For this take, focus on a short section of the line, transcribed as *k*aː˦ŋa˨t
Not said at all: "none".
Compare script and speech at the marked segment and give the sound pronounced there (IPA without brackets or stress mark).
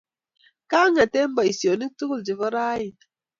k